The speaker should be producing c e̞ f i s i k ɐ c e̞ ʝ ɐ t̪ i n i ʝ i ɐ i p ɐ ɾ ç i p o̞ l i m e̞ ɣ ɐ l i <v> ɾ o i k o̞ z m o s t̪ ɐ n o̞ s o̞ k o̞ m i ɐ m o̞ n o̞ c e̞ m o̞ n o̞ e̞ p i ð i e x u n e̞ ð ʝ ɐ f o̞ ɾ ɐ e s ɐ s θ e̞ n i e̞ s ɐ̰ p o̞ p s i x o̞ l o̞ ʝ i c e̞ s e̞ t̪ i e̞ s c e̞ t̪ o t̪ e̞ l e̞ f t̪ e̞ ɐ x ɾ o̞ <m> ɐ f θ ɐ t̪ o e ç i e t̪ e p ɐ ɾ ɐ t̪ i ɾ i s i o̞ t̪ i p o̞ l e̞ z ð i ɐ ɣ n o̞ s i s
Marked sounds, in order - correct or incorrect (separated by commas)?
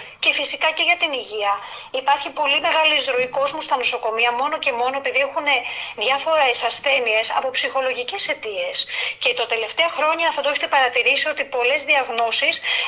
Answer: incorrect, incorrect